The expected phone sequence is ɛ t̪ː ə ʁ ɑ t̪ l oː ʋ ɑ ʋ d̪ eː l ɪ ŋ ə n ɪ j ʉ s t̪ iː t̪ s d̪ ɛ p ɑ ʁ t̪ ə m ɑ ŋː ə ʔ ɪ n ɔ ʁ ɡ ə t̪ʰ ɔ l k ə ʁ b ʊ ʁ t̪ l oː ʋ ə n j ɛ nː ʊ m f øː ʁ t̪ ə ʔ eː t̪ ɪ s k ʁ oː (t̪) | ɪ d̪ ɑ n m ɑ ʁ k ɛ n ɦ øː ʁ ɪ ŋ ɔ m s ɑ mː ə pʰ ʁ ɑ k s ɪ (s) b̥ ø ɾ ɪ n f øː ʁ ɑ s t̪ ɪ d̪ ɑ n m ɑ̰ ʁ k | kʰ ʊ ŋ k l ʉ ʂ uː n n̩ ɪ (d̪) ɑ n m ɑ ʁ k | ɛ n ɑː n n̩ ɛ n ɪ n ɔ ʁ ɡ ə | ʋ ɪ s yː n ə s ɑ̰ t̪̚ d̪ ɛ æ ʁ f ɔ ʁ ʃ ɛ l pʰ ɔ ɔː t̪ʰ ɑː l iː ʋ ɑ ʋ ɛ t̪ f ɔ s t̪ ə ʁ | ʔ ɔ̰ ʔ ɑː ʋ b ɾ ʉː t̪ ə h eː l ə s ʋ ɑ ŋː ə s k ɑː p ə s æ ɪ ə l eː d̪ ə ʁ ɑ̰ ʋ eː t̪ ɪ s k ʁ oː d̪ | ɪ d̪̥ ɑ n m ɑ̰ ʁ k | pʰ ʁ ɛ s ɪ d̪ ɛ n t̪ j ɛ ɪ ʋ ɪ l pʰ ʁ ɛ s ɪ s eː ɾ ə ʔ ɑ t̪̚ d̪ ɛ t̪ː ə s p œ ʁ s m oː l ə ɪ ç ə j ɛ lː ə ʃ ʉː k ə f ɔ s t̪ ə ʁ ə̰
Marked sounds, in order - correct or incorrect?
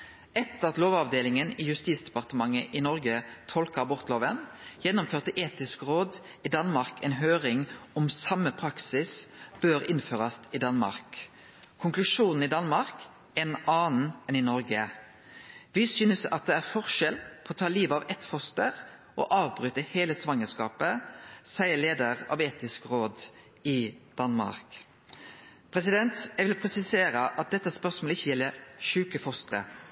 incorrect, correct, correct

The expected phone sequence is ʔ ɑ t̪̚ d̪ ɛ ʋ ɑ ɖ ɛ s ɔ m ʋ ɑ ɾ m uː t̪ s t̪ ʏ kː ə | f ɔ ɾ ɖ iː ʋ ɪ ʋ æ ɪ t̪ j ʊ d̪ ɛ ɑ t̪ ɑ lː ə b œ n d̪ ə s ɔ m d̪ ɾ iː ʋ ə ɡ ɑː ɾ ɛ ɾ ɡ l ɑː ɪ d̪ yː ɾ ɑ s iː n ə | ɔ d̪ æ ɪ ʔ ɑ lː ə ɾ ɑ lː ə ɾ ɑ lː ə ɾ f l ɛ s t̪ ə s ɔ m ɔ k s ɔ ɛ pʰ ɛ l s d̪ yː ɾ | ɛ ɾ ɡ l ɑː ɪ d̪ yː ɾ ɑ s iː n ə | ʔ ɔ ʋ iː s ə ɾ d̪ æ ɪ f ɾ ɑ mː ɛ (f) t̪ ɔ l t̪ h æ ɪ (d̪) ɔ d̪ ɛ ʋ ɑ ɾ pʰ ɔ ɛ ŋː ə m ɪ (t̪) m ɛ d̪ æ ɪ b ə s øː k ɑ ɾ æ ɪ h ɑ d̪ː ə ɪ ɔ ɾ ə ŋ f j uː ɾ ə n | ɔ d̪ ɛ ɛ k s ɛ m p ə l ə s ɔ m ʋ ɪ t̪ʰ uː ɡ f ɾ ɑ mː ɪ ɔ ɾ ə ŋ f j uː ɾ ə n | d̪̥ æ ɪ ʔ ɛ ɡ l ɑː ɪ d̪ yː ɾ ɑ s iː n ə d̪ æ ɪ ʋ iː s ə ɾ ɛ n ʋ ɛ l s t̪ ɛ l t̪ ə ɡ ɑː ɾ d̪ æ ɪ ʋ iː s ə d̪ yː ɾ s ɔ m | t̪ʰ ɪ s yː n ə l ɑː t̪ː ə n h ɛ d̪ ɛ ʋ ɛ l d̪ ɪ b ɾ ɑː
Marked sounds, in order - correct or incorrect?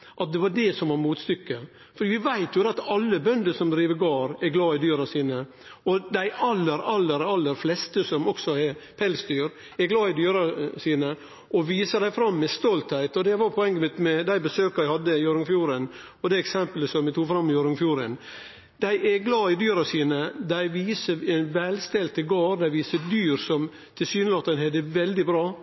incorrect, incorrect, correct

